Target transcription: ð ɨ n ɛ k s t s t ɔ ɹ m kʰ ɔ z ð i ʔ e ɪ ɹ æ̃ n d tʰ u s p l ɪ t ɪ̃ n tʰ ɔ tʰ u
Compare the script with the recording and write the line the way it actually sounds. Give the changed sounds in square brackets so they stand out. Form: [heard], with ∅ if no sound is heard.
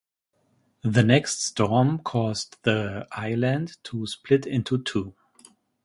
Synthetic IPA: ð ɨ n ɛ k s t s t ɔ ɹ m kʰ ɔ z ð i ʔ [a] ɪ [l] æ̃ n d tʰ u s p l ɪ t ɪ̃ n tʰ [u] tʰ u